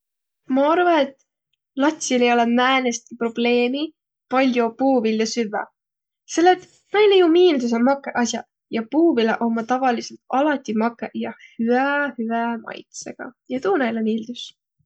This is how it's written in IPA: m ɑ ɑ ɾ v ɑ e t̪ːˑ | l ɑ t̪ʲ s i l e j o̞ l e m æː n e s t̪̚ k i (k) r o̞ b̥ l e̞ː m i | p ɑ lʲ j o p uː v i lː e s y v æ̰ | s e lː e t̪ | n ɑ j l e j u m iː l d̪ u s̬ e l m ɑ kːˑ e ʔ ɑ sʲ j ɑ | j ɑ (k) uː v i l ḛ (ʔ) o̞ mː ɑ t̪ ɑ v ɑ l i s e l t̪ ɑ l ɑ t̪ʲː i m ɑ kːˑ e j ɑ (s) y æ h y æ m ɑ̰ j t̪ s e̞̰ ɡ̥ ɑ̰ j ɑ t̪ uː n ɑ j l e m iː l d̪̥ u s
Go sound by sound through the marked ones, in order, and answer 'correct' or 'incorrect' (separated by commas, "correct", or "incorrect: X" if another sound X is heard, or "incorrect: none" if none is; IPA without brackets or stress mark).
incorrect: p, incorrect: p, correct, incorrect: h